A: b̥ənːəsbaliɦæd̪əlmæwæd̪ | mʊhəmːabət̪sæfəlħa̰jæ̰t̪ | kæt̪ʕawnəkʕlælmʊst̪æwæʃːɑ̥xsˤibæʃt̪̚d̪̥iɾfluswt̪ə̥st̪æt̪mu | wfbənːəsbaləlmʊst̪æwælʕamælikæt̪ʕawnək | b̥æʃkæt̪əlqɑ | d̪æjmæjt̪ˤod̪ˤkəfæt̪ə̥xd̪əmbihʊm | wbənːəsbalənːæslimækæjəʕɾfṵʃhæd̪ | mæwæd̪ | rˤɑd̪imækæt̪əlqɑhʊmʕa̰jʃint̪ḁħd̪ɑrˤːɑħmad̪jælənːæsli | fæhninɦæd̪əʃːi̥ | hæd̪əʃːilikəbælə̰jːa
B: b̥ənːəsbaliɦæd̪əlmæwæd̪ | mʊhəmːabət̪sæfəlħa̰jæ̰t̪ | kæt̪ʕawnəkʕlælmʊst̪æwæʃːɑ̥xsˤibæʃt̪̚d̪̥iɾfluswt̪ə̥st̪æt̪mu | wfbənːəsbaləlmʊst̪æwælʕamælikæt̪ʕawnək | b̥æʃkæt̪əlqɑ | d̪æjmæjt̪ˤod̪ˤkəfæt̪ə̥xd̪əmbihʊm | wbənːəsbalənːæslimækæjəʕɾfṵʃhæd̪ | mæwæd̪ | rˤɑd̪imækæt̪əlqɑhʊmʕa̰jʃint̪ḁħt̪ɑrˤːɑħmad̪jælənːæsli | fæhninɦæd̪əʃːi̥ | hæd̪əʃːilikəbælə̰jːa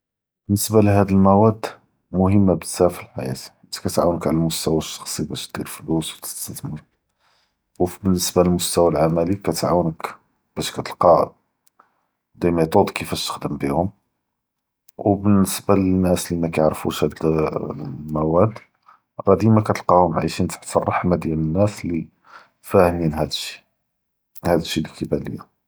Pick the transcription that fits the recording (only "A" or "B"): B